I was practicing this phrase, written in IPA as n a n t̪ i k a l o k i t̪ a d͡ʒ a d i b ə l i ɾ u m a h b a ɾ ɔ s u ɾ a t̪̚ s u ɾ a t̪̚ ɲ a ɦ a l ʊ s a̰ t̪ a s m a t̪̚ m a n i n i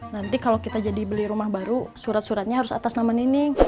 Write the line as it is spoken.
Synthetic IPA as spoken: n a n t̪ i k a l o k i t̪ a d͡ʒ a d i b ə l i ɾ u m a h b a ɾ u s u ɾ a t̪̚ s u ɾ a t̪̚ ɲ a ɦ a ɾ ʊ s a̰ t̪ a s n a m a n i n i